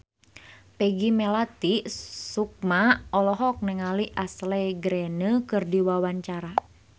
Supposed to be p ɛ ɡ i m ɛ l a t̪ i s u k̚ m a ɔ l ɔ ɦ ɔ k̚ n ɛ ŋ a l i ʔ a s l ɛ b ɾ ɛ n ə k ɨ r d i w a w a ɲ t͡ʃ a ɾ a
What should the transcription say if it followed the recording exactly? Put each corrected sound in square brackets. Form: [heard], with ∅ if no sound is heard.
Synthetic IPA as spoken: p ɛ ɡ i m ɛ l a t̪ i s u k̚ m a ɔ l ɔ ɦ ɔ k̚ n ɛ ŋ a l i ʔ a s l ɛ [ɡ] ɾ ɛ n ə k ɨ r d i w a w a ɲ t͡ʃ a ɾ a